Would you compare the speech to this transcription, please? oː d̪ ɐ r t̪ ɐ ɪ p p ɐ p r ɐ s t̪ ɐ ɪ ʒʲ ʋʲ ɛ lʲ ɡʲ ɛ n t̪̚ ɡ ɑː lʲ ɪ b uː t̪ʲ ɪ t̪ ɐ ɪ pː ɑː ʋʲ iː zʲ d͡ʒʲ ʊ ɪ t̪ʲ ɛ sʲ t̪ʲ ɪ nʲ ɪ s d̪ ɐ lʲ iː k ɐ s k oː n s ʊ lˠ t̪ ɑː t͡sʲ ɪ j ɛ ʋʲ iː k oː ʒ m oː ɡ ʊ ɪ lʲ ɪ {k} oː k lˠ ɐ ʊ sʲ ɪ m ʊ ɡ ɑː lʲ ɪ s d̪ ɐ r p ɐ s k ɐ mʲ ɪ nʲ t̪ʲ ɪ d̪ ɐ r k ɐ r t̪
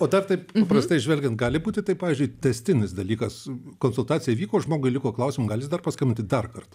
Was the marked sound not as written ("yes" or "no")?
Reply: no